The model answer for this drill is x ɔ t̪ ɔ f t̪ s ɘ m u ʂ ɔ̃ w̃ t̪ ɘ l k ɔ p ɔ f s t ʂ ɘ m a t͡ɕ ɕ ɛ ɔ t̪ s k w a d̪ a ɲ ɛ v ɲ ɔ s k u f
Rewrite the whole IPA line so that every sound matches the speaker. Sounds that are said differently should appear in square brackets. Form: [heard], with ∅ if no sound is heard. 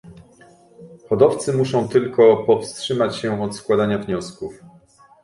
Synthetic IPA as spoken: x ɔ [d̪] ɔ f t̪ s ɘ m u ʂ ɔ̃ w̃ t̪ ɘ l k ɔ p ɔ f s t ʂ ɘ m a t͡ɕ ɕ ɛ ɔ t̪ s k w a d̪ a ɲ [a] v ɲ ɔ s k u f